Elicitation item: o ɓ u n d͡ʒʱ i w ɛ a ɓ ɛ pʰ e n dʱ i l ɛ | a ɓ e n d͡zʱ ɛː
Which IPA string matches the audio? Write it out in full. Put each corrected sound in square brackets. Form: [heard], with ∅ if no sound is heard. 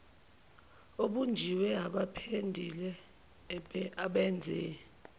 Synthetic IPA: o ɓ u n d͡ʒʱ i w ɛ a ɓ [a] pʰ e n dʱ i l ɛ | a ɓ [ɛ] n d͡zʱ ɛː